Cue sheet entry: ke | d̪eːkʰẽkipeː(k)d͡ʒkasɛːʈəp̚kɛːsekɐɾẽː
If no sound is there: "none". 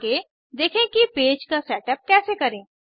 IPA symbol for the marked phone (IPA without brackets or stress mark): none